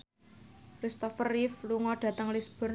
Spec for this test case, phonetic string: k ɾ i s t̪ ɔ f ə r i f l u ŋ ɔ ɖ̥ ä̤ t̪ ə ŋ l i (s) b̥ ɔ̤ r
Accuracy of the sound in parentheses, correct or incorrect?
correct